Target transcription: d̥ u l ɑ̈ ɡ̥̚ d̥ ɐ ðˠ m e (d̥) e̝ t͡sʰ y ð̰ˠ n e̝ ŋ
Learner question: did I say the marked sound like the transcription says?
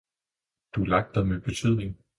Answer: no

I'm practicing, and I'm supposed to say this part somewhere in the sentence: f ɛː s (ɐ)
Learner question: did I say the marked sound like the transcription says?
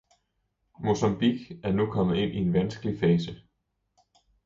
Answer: no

